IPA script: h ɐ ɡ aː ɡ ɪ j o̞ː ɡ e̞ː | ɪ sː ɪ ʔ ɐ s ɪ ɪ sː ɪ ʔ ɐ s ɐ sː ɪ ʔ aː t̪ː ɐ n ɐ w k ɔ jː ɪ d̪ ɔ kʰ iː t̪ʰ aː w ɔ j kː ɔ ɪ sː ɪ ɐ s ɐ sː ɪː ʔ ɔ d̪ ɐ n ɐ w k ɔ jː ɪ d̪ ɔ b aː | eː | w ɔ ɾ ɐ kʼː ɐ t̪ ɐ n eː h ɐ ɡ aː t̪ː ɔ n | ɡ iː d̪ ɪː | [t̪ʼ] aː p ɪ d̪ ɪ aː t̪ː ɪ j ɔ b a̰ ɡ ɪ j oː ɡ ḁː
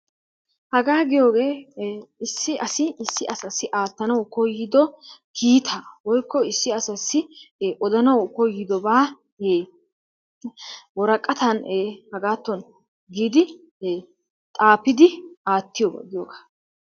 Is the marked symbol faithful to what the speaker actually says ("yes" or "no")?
yes